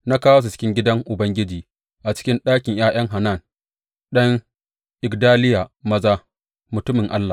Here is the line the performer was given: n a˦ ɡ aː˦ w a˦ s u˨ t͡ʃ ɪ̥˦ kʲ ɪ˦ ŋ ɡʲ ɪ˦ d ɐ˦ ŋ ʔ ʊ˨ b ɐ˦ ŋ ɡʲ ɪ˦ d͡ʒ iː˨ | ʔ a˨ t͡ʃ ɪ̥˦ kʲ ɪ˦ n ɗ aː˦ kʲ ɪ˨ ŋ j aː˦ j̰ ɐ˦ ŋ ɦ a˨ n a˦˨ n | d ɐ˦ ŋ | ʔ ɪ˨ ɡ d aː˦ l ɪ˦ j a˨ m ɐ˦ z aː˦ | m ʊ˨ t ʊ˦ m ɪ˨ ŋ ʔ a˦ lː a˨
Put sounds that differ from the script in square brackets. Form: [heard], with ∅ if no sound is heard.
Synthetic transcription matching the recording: n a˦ [k] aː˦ w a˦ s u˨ t͡ʃ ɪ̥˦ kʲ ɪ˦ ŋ ɡʲ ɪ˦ d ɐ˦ ŋ ʔ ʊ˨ b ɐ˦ ŋ ɡʲ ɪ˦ d͡ʒ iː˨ | ʔ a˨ t͡ʃ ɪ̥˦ kʲ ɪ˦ n ɗ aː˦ kʲ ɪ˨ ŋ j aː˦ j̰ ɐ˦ ŋ ɦ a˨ n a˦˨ n | [ɗ] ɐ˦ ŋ | ʔ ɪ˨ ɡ d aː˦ l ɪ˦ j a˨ m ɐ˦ z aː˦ | m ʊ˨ t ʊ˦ m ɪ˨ ŋ ʔ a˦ lː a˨